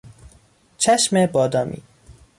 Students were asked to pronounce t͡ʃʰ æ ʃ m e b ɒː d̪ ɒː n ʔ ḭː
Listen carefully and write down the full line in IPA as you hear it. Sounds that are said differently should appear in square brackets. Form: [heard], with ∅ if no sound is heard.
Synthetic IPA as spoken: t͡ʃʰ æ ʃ m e b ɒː d̪ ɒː [m] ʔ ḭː